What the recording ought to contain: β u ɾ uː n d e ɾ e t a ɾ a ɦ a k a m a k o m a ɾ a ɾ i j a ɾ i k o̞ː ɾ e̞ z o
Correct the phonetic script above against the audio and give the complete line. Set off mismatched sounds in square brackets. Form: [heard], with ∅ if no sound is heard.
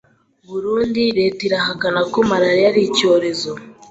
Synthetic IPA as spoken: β u ɾ uː n d [i] ɾ e t [i] ɾ a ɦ a k a [n] a k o m a ɾ a ɾ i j a ɾ i [c] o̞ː ɾ e̞ z o

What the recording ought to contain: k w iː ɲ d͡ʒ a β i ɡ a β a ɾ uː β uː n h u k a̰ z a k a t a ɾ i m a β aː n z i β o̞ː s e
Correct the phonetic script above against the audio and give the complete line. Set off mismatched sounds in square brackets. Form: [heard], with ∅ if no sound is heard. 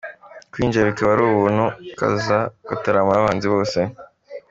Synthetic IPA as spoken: k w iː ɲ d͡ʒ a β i [k] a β a ɾ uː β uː n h u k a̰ z a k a t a ɾ [a] m a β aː n z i β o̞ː s e

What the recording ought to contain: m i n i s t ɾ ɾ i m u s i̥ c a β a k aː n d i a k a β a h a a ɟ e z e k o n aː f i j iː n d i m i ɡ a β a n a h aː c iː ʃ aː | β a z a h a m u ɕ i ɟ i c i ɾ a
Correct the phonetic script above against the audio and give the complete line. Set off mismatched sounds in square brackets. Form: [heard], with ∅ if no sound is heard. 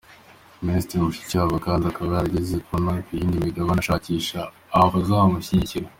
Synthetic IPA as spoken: m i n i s t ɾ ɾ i m u [ʃ] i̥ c a β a k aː n d i a k a β a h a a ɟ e z e k o n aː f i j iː n d i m i ɡ a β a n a [ʃ] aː c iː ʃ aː | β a z a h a m u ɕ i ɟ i c i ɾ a

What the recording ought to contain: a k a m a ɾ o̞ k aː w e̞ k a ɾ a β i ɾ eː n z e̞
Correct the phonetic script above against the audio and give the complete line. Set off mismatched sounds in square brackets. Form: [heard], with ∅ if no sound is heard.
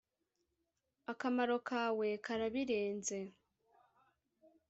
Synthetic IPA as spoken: a k a m a ɾ o̞ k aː w e̞ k a ɾ a β i ɾ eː n z e̞

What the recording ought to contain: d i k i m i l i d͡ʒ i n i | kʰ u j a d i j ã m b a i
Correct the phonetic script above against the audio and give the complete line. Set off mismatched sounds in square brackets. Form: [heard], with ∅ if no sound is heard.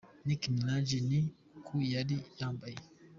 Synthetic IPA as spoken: [n] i k i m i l [a] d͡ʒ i n i | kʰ u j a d i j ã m b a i

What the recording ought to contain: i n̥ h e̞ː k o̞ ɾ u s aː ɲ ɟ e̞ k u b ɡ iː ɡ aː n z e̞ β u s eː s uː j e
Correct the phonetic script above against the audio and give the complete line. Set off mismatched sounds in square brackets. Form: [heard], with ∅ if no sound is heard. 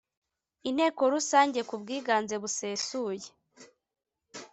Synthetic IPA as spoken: i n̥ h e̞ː k o̞ ɾ u s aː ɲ ɟ e̞ k u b ɡ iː ɡ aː n z e̞ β u s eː s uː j e

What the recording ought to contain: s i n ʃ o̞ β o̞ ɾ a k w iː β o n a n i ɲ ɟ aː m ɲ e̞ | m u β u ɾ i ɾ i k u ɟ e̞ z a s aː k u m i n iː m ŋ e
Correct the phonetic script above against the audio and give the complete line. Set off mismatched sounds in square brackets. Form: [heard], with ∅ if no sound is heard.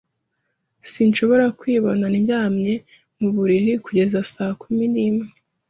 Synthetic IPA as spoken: s i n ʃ o̞ β o̞ ɾ a k w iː β o n a n i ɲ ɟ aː m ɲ e̞ | m u β u ɾ i ɾ i k u ɟ e̞ z a s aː k u m i n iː m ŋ e

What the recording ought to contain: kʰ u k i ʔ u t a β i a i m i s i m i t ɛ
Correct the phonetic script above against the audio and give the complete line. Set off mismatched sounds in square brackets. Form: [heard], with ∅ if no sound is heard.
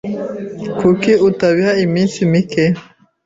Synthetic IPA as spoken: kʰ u k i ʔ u t a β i a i m i s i m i [k] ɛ

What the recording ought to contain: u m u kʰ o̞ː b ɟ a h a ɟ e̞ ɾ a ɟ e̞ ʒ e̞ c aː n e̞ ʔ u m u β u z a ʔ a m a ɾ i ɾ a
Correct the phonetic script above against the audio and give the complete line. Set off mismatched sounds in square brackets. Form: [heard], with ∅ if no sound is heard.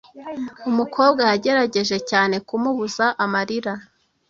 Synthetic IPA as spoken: u m u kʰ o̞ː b [ɡ] a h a ɟ e̞ ɾ a ɟ e̞ ʒ e̞ c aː n e̞ [k] u m u β u z a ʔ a m a ɾ i ɾ a

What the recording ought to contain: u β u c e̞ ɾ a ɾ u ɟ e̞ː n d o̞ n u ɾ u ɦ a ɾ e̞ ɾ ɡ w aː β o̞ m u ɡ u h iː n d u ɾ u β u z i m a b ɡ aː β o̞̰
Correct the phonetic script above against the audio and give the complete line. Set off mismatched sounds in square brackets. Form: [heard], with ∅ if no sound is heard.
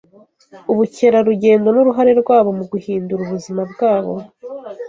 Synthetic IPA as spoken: u β u c e̞ ɾ a ɾ u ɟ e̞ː n d o̞ n u ɾ u ɦ a ɾ e̞ ɾ ɡ w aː β o̞ m u ɡ u h iː n d u ɾ u β u z i m a b ɡ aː β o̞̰

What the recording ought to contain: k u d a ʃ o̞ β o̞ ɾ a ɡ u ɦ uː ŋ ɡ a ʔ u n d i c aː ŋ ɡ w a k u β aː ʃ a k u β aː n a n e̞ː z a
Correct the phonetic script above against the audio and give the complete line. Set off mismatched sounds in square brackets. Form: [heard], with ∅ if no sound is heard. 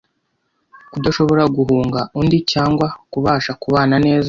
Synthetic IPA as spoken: k u d a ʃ o̞ β o̞ ɾ a ɡ u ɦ uː ŋ ɡ a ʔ u n d i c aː ŋ ɡ w a k u β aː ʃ a k u β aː n a n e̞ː z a

